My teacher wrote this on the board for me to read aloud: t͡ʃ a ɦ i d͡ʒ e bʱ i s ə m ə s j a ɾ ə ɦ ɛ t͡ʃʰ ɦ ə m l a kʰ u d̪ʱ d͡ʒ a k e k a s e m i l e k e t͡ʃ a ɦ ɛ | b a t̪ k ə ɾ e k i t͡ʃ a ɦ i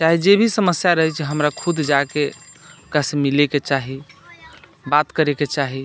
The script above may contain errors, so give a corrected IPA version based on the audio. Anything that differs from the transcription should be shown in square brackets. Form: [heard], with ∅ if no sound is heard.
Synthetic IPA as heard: t͡ʃ a ɦ i d͡ʒ e bʱ i s ə m ə s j a ɾ ə ɦ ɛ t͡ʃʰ ɦ ə m [ɾ] a kʰ u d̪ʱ d͡ʒ a k e k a s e m i l e k e t͡ʃ a ɦ [i] | b a t̪ k ə ɾ e k [e] t͡ʃ a ɦ i